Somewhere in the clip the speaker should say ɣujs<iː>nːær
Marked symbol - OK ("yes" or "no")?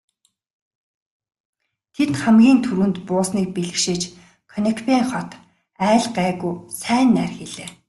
no